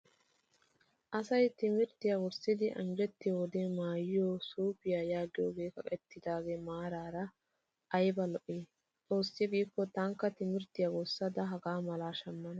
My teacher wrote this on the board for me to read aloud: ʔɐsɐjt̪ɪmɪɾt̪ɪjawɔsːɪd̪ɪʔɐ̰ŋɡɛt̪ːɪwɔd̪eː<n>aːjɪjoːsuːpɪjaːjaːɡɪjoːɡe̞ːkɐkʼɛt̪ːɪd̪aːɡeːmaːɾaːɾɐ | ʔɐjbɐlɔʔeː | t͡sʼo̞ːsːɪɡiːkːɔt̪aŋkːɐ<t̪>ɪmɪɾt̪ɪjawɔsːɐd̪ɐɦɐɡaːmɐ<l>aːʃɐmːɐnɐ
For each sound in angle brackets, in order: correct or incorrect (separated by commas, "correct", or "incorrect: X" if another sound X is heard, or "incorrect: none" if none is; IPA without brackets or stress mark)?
incorrect: m, correct, correct